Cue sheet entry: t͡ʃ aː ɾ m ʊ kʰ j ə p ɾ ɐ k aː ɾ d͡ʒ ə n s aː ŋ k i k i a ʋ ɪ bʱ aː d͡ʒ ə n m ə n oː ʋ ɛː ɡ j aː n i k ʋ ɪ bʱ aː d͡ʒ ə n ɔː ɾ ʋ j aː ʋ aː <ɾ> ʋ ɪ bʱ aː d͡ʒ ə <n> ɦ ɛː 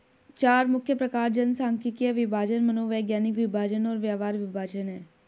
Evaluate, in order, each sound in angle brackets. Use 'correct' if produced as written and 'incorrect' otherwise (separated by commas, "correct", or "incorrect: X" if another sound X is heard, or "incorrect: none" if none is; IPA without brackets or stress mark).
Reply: correct, correct